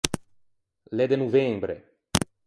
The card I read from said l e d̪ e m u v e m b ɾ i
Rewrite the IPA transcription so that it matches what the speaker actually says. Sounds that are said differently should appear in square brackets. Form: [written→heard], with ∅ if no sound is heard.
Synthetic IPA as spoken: l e d̪ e [m→n] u v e m b ɾ [i→e]